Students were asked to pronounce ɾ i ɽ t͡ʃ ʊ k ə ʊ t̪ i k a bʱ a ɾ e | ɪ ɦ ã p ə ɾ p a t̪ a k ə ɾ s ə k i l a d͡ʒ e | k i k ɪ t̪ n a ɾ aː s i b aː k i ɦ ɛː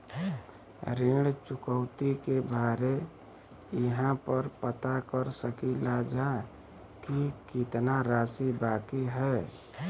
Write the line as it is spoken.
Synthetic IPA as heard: ɾ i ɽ t͡ʃ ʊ k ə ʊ t̪ i k e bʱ a ɾ e | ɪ ɦ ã p ə ɾ p ə t̪ a k ə ɾ s ə k i l a d͡ʒ a | k i k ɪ t̪ n a ɾ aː s i b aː k i ɦ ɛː